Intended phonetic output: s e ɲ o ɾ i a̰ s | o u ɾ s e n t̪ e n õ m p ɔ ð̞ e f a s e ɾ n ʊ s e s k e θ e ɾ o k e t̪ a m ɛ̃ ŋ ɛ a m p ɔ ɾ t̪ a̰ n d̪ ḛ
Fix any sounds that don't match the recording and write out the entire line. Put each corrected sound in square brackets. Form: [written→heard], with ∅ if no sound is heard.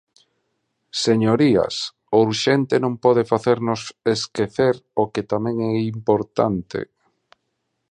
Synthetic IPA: s e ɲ o ɾ i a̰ s | o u ɾ [s→ʃ] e n t̪ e n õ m p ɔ ð̞ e f a [s→θ] e ɾ n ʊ s e s k e θ e ɾ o k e t̪ a m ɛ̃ ŋ ɛ [a→i] m p [ɔ→o] ɾ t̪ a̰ n [d̪→t̪] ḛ